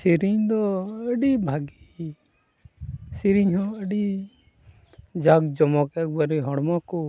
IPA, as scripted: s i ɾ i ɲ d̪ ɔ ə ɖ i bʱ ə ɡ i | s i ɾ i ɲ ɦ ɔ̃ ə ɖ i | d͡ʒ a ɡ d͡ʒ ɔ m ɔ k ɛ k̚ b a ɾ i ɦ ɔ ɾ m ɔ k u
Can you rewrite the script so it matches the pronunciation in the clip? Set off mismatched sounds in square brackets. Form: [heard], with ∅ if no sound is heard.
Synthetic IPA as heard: s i ɾ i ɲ d̪ ɔ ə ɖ i bʱ [a] ɡ i | s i ɾ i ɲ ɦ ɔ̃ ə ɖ i | d͡ʒ a ɡ d͡ʒ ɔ m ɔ k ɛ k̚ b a ɾ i ɦ ɔ [ɽ] m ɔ k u